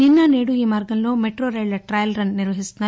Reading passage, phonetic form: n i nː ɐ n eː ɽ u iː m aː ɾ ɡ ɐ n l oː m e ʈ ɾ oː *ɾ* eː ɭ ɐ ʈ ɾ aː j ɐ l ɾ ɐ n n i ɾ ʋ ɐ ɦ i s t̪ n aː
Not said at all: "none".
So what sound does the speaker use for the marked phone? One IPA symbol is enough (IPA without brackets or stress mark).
ɾ